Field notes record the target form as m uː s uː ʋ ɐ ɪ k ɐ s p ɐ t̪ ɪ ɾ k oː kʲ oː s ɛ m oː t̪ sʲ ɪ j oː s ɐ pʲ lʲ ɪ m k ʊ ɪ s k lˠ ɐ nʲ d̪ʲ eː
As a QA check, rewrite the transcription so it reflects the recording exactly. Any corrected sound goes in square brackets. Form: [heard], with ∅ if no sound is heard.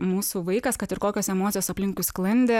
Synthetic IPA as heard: m uː s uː ʋ ɐ ɪ k ɐ s [k] ɐ t̪ ɪ ɾ k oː kʲ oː s ɛ m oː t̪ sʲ ɪ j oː s ɐ pʲ lʲ ɪ [ŋ] k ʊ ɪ s k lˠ ɐ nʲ d̪ʲ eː